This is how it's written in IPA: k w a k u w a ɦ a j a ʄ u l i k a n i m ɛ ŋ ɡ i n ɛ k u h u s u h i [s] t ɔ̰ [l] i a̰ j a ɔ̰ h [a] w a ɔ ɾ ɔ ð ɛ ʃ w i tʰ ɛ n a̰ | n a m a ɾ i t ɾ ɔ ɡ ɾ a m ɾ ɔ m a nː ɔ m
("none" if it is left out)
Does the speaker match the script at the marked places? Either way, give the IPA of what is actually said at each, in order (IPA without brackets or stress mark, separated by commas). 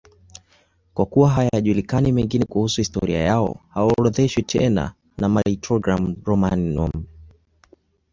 s, ɾ, a